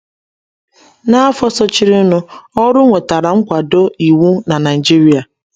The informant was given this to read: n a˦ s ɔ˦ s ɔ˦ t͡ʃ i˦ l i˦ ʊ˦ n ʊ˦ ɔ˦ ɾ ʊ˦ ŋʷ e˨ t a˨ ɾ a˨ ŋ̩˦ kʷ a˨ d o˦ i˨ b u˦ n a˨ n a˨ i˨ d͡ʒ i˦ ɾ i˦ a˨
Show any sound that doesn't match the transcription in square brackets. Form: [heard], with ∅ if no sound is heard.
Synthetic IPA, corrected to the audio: n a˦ [f] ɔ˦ s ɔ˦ t͡ʃ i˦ [ɾ] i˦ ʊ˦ n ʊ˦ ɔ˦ ɾ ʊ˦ ŋʷ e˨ t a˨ ɾ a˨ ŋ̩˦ kʷ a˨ d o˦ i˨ [w] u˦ n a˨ n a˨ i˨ d͡ʒ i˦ ɾ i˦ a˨